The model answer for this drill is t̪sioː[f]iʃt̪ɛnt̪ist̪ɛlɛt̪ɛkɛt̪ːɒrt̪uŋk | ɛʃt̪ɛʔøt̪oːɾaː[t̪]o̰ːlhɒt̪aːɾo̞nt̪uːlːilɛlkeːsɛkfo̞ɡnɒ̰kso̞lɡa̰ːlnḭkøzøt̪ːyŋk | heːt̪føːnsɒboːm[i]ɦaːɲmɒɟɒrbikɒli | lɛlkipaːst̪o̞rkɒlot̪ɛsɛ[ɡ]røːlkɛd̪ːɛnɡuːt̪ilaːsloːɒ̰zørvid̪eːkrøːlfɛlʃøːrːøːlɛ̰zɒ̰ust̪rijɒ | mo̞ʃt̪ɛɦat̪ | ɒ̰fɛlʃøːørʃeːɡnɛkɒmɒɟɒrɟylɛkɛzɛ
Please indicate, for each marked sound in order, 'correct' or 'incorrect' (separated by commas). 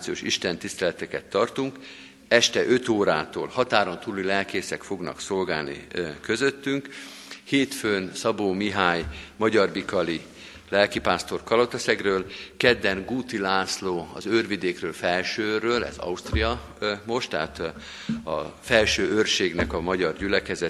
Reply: incorrect, correct, correct, correct